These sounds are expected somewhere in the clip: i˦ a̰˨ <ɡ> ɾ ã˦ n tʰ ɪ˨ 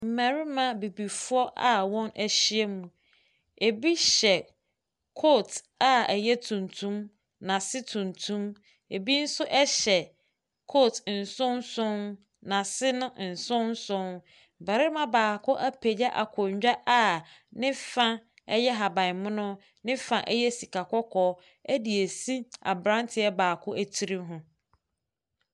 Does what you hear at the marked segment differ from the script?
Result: yes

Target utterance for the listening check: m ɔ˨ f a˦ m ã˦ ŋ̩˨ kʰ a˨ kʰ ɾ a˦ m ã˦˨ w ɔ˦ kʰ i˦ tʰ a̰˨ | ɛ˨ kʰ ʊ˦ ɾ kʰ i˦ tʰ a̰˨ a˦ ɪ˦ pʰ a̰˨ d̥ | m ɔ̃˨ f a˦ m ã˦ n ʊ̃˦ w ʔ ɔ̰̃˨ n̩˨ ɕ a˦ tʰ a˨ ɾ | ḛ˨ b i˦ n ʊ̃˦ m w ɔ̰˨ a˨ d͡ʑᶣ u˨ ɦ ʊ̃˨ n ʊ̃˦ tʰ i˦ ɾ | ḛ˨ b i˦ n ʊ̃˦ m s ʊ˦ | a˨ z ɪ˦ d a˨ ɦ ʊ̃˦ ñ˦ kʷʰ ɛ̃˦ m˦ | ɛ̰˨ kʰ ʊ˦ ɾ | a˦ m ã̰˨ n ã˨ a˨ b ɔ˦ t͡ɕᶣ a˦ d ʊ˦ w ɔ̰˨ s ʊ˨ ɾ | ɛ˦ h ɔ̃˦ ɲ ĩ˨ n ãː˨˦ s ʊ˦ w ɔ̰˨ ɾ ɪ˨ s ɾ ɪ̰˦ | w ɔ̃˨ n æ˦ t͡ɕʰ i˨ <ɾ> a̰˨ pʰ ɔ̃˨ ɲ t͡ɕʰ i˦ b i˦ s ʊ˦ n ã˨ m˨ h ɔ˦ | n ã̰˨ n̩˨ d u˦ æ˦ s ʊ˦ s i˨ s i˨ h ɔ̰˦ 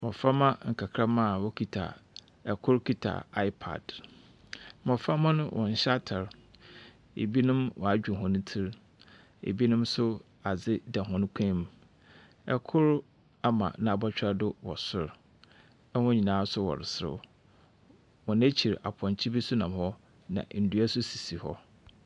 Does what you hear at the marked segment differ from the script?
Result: no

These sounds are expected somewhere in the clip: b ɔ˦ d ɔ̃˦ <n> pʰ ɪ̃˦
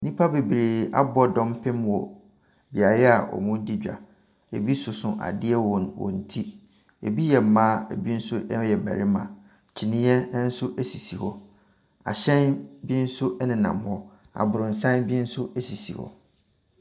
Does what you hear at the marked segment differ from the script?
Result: yes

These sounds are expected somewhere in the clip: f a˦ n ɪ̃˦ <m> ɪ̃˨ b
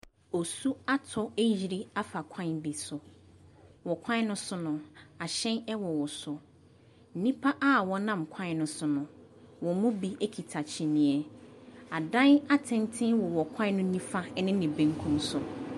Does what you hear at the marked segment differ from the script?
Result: yes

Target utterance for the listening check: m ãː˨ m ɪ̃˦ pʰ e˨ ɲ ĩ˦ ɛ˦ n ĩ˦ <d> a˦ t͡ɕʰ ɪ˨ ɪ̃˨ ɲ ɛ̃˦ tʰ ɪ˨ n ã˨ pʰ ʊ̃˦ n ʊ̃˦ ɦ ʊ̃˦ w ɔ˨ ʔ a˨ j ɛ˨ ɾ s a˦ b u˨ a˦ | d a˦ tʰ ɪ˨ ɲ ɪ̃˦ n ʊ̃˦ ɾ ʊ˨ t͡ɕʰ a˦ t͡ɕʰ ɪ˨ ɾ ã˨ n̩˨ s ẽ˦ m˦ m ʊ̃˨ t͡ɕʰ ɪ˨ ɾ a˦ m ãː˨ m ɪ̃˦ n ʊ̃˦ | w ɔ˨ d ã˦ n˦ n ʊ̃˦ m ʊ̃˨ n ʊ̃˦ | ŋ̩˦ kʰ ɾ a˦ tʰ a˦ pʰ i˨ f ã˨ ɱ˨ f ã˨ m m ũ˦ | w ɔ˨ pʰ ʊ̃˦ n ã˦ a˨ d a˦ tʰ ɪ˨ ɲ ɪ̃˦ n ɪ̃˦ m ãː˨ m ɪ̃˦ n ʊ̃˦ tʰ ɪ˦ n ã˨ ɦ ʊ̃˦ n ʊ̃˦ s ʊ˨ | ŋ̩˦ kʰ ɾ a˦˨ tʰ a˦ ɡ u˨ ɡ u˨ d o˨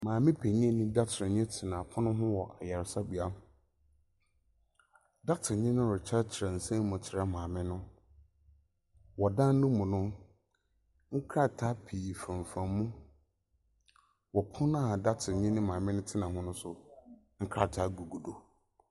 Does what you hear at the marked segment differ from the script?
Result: no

